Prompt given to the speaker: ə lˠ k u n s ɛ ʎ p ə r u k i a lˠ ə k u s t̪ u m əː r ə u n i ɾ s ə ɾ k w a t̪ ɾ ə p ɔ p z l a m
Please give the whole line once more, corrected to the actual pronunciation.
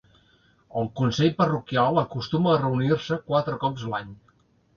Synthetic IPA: ə lˠ k u n s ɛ ʎ p ə r u k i a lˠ ə k u s t̪ u m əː r ə u n i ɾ s ə k w a t̪ ɾ ə k ɔ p z l a ɲ